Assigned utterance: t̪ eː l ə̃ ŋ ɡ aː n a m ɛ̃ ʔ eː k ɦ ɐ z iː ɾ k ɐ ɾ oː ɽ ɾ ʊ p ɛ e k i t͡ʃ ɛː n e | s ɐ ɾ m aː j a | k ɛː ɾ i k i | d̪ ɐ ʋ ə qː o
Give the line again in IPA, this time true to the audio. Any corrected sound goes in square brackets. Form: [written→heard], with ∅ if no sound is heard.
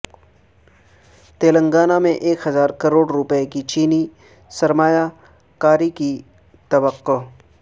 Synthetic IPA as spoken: t̪ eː l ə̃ ŋ ɡ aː n a m [ɛ̃→ẽ] ʔ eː k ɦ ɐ z [iː→aː] ɾ k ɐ ɾ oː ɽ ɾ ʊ p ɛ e k i t͡ʃ [ɛː→iː] n [e→i] | s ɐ ɾ m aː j a | k [ɛː→aː] ɾ i k i | [d̪→t̪] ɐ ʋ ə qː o